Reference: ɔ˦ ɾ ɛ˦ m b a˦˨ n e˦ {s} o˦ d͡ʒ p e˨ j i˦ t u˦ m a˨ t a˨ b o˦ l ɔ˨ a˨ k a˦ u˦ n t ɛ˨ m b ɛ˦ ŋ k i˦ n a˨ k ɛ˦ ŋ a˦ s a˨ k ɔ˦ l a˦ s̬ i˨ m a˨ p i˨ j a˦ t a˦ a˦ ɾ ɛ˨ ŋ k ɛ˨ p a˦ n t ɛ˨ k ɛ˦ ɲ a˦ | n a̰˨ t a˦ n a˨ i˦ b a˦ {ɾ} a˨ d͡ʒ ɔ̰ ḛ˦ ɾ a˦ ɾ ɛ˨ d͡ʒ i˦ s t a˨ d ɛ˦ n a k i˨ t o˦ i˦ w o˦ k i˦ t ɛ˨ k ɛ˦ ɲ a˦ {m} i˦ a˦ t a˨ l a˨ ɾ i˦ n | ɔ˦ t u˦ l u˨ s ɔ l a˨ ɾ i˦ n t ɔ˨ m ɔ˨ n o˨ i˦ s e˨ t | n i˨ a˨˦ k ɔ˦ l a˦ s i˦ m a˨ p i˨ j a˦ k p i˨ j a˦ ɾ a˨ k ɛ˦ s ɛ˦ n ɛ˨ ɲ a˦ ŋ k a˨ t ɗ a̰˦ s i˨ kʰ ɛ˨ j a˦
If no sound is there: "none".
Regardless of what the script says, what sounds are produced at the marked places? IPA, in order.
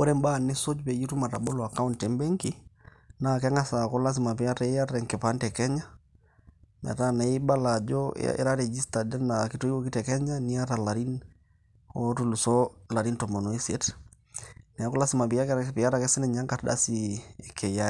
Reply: s, l, n

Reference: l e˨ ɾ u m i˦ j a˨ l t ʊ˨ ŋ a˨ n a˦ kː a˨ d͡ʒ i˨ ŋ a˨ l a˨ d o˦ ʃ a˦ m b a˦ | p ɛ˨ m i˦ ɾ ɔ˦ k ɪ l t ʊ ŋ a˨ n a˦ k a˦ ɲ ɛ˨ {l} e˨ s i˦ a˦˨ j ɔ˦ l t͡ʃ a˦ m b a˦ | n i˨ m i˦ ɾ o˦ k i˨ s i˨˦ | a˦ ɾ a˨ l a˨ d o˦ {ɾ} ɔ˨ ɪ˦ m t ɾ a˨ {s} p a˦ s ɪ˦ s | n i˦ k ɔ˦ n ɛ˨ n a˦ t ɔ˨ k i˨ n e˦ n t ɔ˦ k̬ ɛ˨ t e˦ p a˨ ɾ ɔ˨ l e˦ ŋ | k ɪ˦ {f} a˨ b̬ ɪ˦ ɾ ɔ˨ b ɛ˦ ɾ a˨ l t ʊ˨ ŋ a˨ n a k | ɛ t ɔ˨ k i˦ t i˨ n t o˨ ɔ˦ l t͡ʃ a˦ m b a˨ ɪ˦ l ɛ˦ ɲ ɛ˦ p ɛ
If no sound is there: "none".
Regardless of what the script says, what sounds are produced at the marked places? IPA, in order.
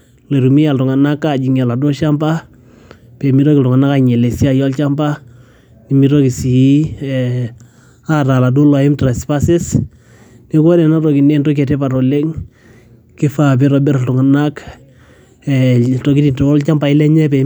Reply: l, l, s, f

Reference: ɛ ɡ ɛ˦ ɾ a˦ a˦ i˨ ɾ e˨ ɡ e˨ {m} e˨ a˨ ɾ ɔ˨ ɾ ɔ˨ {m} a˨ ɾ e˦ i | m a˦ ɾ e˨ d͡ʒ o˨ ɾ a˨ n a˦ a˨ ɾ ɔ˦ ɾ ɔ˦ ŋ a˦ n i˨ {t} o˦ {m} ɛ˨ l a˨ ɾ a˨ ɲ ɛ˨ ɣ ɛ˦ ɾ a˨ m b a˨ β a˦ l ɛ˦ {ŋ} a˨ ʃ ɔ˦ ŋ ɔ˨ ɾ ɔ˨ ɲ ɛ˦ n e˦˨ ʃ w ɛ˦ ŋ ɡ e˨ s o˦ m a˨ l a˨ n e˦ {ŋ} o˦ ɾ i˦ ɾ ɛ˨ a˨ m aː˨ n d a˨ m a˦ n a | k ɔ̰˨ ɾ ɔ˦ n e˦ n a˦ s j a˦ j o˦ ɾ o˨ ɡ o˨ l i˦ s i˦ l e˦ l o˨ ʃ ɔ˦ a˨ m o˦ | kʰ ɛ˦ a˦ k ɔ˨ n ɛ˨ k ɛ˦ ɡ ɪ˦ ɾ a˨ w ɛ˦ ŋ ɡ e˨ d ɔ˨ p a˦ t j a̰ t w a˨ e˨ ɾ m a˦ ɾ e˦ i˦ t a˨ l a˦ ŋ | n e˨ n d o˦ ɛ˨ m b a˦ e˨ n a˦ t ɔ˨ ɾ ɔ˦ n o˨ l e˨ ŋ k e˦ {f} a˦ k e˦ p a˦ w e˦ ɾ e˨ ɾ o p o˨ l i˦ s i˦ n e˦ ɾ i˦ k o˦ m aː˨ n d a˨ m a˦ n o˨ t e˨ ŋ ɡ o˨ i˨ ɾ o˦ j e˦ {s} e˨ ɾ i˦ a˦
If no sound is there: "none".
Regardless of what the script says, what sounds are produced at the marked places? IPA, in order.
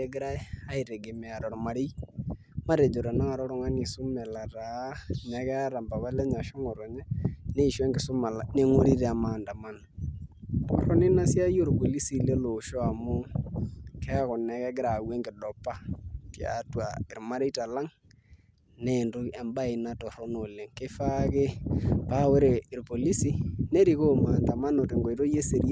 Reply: m, m, s, m, ɲ, ŋ, f, s

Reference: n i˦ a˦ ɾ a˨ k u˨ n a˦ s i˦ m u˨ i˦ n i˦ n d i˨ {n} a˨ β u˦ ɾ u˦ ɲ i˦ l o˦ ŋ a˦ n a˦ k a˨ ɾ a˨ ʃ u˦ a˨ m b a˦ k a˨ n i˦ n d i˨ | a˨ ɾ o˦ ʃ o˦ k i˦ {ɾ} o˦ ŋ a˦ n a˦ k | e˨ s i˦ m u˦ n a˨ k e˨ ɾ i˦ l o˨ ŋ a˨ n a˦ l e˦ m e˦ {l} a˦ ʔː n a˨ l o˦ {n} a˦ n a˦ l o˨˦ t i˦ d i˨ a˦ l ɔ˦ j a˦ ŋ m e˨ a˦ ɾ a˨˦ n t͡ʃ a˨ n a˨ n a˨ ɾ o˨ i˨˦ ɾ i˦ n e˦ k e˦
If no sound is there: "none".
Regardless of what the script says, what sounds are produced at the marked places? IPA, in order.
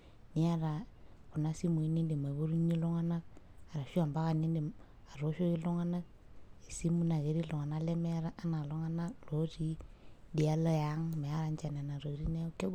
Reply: m, l, ɾ, ŋ

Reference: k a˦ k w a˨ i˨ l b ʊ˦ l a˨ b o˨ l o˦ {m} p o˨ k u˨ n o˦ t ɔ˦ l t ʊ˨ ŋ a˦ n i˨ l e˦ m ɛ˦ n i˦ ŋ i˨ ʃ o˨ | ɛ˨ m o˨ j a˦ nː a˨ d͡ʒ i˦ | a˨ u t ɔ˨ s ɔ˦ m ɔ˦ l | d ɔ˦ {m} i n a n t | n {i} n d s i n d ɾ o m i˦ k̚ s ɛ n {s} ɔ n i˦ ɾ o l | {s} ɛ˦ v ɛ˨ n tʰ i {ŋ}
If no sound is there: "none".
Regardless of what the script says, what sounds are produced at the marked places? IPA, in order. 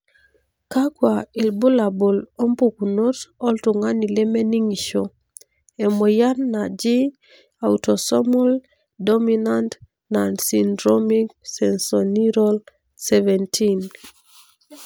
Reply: m, m, a, s, s, n

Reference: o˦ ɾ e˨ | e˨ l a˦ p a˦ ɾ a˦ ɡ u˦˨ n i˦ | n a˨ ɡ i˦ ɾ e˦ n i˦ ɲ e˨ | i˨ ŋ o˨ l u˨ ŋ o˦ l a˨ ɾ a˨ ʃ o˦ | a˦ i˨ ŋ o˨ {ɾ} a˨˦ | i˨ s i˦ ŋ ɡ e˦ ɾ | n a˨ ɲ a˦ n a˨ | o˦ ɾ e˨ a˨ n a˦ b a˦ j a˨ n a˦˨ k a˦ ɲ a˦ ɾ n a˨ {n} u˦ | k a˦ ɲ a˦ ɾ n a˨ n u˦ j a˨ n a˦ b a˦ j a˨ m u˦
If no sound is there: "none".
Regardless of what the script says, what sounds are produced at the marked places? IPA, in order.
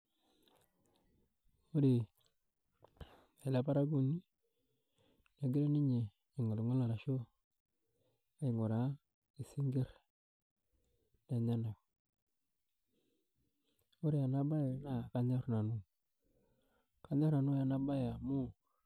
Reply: ɾ, n

